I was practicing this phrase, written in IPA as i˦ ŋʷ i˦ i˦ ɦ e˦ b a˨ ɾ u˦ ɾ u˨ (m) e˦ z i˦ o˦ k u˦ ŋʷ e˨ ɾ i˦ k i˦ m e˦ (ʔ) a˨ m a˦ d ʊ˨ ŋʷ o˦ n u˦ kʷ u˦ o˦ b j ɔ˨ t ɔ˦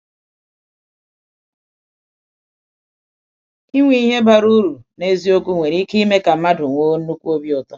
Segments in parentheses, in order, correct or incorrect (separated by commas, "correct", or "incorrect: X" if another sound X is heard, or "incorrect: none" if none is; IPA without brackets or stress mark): incorrect: n, incorrect: k